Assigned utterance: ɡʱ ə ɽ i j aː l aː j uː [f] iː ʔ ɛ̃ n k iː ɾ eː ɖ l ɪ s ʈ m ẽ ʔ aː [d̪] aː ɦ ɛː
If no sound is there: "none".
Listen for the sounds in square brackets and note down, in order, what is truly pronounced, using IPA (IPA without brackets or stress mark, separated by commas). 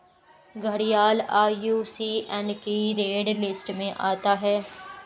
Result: s, t̪